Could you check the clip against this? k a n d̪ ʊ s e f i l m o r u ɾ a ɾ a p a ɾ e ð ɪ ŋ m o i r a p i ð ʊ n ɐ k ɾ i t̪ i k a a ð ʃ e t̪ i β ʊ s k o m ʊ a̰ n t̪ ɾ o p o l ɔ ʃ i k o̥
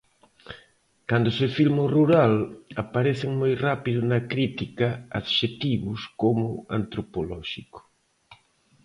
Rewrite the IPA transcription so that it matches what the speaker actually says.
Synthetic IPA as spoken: k a n d̪ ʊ s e f i l m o r u ɾ a l a p a ɾ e θ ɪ ŋ m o j r a p i ð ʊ n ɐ k ɾ i t̪ i k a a ð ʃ e t̪ i β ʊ s k o m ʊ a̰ n t̪ ɾ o p o l ɔ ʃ i k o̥